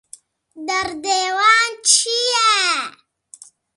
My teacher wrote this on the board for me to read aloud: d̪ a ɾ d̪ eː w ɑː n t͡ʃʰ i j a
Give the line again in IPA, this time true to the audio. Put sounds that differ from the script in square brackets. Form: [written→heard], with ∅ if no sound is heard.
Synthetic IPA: d̪ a ɾ d̪ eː w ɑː n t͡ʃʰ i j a